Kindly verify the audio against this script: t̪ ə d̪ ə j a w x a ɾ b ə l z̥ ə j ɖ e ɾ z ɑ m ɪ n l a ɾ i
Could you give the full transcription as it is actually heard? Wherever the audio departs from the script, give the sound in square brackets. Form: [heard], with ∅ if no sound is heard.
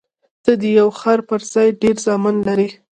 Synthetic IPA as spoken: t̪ ə d̪ ə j a w x a ɾ [p] ə [ɾ] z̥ [ɑ] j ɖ e ɾ z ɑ m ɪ n l a ɾ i